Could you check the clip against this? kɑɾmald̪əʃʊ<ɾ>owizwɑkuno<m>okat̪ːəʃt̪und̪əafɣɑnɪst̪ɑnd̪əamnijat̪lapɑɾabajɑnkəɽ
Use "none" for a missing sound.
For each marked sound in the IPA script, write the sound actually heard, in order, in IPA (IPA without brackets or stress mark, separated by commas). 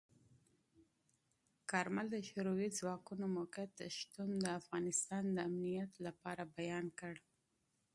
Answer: ɾ, m